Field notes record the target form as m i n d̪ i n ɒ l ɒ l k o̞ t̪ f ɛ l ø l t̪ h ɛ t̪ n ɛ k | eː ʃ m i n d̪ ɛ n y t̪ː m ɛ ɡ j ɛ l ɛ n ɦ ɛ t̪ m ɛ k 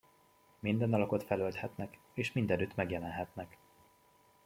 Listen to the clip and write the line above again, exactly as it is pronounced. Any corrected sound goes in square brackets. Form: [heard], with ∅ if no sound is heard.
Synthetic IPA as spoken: m i n d̪ [ɛ] n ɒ l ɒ [∅] k o̞ t̪ f ɛ l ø l t̪ h ɛ t̪ n ɛ k | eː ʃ m i n d̪ ɛ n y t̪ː m ɛ ɡ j ɛ l ɛ n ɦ ɛ t̪ [n] ɛ k

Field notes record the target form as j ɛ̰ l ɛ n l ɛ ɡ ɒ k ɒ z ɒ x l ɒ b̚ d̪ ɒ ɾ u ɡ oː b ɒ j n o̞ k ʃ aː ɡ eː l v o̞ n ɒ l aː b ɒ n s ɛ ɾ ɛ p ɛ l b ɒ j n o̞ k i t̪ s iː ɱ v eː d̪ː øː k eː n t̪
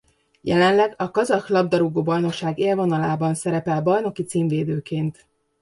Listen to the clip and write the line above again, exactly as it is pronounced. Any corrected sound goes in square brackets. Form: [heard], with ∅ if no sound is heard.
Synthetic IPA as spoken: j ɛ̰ l ɛ n l ɛ ɡ ɒ k ɒ z ɒ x l ɒ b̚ d̪ ɒ ɾ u ɡ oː b ɒ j n o̞ k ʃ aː ɡ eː l v o̞ n ɒ l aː b ɒ n s ɛ ɾ ɛ p ɛ l b ɒ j n o̞ k i t̪ s iː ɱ v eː [d̪] øː k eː n t̪

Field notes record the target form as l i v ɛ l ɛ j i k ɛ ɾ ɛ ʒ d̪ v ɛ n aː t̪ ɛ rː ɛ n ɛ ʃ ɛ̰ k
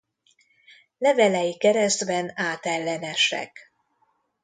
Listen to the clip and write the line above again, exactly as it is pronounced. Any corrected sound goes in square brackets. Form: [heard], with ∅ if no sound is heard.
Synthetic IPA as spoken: l [ɛ] v ɛ l ɛ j i k ɛ ɾ ɛ [z] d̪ [b] ɛ n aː t̪ ɛ [lː] ɛ n ɛ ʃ ɛ̰ k

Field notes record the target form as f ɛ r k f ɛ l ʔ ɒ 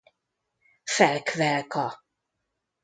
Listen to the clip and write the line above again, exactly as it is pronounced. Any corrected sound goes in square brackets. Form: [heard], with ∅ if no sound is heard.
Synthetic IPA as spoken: f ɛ [l] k [v] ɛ l [k] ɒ

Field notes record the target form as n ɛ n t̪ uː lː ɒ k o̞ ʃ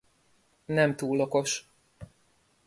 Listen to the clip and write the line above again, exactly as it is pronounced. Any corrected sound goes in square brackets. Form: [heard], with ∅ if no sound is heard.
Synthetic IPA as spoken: n ɛ [m] t̪ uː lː [o] k o̞ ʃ

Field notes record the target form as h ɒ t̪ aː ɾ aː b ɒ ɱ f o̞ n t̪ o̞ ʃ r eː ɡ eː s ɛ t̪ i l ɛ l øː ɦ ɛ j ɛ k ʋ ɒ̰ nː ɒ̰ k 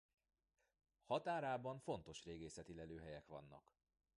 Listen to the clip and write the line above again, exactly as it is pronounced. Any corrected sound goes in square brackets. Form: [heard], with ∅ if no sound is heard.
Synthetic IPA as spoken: h ɒ t̪ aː ɾ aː b ɒ ɱ f o̞ n t̪ o̞ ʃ r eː ɡ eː s ɛ t̪ i l ɛ l øː ɦ ɛ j ɛ k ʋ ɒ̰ nː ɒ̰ k

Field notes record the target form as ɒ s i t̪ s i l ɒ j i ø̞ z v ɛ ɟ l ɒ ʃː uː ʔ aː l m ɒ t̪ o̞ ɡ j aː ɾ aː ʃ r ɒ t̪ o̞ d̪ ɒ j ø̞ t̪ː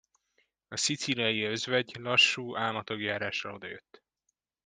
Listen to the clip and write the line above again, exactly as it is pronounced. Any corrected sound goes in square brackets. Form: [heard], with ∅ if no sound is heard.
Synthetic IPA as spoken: ɒ s i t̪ s i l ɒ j i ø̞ z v ɛ ɟ l ɒ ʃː uː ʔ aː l m ɒ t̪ o̞ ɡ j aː ɾ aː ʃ r ɒ [∅] o̞ d̪ ɒ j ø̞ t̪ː

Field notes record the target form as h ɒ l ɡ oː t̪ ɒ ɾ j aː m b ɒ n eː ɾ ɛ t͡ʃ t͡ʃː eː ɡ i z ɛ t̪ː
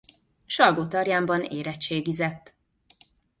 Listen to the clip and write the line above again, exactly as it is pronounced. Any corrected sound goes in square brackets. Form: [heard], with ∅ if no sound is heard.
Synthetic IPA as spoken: [ʃ] ɒ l ɡ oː t̪ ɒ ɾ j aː m b ɒ n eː ɾ ɛ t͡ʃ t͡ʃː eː ɡ i z ɛ t̪ː

